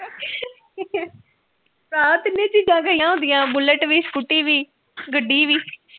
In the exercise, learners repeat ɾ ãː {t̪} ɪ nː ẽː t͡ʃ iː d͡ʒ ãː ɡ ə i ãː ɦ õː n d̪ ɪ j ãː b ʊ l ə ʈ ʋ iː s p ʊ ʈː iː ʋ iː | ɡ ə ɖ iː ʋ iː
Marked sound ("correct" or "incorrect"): correct